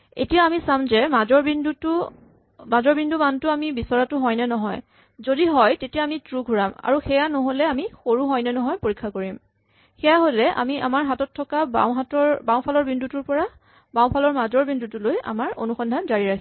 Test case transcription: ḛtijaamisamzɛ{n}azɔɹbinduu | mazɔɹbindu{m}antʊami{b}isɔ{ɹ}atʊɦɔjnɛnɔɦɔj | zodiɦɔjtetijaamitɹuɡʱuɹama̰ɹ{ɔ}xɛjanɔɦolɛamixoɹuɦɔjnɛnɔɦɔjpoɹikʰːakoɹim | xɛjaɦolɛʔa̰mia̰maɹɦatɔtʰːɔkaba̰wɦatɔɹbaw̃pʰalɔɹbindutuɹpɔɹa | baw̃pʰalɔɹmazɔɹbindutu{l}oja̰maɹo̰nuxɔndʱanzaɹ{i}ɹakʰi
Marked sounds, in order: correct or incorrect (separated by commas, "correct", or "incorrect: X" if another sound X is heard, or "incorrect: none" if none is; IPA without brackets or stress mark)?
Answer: incorrect: m, correct, correct, correct, incorrect: u, correct, correct